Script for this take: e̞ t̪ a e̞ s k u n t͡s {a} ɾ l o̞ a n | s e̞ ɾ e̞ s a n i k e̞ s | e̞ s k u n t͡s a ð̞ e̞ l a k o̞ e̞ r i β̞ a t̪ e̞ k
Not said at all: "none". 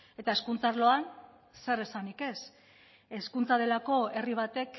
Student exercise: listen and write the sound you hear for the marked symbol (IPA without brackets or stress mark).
a